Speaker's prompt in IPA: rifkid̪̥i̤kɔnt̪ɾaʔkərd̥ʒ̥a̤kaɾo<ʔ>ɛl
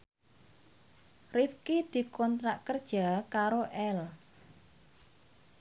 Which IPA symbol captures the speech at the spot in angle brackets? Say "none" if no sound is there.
ʔ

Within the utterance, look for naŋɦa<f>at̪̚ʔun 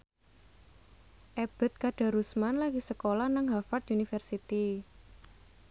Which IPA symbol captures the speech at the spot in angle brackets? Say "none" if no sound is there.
f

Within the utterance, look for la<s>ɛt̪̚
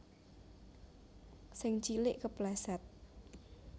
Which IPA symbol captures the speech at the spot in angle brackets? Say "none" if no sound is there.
s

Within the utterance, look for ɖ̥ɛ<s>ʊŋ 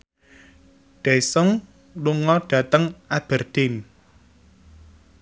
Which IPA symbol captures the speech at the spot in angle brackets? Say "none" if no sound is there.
s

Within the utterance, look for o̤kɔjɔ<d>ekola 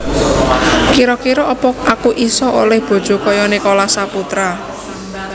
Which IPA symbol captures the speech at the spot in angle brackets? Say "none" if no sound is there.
n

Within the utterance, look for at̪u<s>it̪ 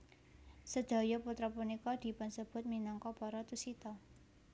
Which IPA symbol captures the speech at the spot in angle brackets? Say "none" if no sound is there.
s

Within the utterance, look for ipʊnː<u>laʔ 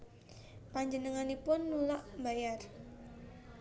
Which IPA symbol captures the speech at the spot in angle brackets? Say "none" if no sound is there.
u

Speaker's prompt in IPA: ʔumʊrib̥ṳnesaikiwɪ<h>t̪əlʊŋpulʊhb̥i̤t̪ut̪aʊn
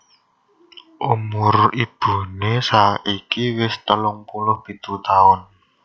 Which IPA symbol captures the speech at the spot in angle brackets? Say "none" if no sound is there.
s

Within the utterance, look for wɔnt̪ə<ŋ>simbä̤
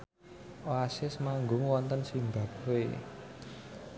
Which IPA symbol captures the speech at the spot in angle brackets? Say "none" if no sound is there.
n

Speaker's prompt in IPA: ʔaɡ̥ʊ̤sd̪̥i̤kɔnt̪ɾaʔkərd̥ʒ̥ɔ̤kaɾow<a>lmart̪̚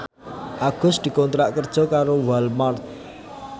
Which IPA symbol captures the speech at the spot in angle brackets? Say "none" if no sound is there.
a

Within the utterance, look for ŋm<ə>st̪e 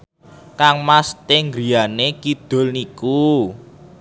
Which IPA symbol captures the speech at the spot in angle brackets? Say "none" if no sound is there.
a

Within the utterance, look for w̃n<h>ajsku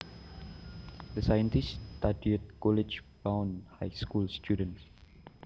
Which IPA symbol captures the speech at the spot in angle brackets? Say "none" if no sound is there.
h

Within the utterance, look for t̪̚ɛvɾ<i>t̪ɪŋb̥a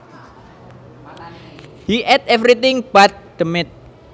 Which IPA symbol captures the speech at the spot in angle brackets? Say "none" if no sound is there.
i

